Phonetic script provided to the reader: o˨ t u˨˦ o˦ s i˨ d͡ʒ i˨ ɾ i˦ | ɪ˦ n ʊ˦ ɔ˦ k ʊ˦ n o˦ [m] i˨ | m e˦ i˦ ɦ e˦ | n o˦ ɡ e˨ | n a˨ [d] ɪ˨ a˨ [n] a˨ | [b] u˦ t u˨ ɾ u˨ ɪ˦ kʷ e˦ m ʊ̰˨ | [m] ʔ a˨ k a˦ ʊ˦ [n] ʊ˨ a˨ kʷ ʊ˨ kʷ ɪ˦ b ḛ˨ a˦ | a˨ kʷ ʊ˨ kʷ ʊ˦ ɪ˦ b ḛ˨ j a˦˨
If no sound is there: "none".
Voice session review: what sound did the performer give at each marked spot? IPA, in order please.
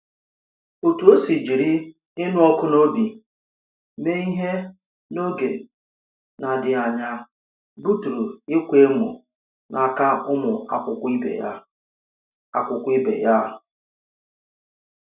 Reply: b, d, ɲ, b, n, m

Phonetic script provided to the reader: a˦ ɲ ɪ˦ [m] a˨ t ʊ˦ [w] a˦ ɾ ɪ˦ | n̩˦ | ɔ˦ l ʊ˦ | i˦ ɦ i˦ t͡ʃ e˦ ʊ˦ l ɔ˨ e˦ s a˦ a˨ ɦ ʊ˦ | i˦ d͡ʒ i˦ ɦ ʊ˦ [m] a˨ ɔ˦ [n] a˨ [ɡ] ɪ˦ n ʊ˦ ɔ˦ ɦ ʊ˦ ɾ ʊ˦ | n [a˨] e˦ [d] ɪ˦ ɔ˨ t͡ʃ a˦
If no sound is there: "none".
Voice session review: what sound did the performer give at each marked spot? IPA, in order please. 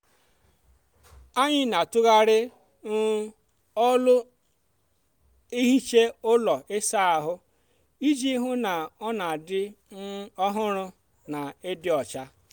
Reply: n, ɣ, n, n, d, a˨, d

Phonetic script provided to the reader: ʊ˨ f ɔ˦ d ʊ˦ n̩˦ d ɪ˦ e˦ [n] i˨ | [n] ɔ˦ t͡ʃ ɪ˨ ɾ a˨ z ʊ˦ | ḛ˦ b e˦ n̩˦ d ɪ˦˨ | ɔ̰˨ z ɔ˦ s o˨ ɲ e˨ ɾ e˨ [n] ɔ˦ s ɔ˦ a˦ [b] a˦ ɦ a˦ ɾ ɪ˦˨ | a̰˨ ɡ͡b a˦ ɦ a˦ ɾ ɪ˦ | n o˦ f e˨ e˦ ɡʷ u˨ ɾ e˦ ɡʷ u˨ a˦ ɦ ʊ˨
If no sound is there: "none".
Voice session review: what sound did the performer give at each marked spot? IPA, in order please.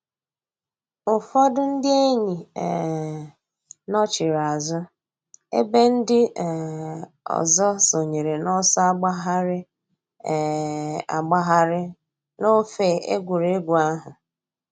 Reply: ɲ, n, n, ɡ͡b

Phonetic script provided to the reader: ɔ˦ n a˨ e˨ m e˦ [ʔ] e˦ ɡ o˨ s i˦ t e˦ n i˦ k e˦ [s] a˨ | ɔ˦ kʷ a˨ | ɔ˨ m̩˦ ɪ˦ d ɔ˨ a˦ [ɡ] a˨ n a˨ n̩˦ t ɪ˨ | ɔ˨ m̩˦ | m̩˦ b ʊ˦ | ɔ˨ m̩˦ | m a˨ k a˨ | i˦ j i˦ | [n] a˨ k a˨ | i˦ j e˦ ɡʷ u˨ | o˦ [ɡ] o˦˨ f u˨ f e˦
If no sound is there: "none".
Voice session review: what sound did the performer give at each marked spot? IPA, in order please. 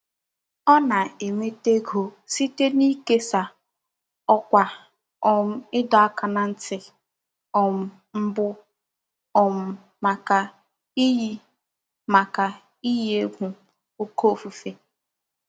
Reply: t, s, k, m, k

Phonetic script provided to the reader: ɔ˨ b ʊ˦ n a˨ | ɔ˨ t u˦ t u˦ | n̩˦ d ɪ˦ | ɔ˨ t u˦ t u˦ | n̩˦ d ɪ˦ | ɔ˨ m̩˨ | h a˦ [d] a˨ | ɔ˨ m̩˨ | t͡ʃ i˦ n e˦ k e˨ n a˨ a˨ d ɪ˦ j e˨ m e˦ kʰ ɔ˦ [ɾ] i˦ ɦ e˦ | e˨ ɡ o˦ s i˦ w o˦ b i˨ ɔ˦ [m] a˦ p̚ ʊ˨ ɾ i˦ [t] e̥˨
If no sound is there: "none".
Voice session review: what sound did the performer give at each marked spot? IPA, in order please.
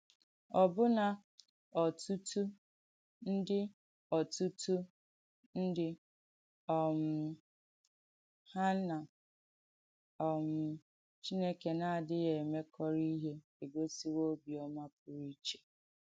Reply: n, ɾ, m, t͡ʃ

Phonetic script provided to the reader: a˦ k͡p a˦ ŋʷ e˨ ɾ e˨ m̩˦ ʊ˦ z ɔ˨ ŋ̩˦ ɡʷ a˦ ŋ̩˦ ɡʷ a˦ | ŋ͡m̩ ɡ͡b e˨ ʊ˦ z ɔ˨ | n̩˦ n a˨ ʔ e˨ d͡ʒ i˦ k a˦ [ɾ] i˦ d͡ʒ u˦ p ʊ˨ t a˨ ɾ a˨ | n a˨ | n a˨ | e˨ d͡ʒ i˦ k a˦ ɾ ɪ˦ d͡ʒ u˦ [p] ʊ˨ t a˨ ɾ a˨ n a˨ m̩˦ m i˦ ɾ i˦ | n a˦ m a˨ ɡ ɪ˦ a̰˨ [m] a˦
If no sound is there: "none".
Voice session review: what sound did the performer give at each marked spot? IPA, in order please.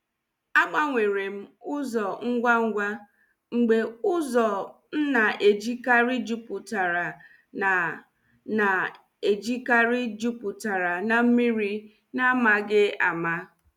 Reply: ɾ, p, m

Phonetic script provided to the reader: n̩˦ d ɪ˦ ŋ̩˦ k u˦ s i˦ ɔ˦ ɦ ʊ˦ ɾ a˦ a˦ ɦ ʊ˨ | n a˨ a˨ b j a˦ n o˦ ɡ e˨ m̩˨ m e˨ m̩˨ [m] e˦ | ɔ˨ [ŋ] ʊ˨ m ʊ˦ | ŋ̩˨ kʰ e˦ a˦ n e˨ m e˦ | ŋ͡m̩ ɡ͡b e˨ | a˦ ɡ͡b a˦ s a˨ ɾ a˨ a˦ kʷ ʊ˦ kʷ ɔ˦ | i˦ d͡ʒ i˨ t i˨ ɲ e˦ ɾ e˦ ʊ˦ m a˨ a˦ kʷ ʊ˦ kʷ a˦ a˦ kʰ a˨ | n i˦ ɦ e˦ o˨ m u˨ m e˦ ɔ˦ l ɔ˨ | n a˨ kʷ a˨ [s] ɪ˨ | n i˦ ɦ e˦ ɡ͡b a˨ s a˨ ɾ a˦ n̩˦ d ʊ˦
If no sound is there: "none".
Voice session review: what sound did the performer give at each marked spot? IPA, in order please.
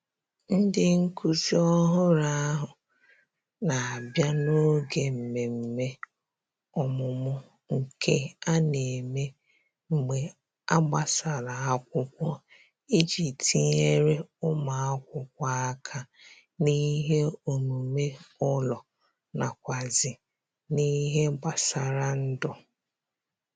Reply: m, m, z

